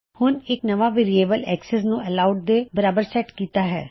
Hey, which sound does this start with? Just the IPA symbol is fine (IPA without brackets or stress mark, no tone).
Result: h